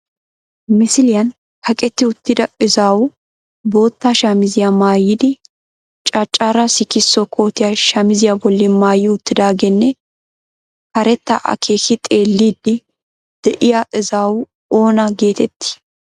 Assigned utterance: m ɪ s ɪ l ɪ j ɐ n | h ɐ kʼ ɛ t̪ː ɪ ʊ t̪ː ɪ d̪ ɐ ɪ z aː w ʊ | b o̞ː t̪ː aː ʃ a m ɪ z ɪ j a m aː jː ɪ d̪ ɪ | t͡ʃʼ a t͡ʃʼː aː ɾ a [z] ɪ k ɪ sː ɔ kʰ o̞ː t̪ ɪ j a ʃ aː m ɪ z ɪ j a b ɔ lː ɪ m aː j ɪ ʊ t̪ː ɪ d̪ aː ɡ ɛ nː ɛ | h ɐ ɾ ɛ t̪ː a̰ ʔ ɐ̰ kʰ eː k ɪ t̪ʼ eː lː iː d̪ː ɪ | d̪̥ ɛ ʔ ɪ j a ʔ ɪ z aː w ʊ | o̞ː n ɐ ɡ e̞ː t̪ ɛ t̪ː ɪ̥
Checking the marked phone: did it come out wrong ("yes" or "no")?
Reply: yes